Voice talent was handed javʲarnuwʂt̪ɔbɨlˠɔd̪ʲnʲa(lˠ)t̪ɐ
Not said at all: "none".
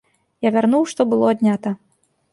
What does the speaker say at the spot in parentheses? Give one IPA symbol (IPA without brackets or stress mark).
none